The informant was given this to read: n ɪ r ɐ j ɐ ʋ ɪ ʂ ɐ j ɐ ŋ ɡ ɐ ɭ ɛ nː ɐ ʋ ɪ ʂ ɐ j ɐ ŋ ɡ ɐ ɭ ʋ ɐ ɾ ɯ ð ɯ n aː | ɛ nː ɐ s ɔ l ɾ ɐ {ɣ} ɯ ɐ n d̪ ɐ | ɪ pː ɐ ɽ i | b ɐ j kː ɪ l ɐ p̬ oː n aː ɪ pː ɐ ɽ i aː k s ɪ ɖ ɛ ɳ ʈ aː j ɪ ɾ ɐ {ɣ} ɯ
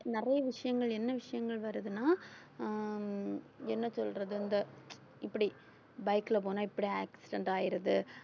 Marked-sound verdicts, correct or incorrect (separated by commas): incorrect, incorrect